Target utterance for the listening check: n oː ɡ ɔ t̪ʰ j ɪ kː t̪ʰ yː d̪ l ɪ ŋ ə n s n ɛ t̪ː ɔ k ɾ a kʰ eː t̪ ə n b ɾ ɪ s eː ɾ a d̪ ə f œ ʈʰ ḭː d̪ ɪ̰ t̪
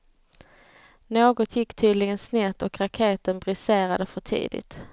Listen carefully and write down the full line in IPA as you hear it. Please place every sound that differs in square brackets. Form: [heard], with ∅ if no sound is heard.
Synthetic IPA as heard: n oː ɡ ɔ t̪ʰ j ɪ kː t̪ʰ yː d̪ l ɪ [ɡ] ə n s n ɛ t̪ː ɔ k ɾ a kʰ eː t̪ ə n b ɾ ɪ s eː ɾ a d̪ ə f œ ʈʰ ḭː d̪ ɪ̰ t̪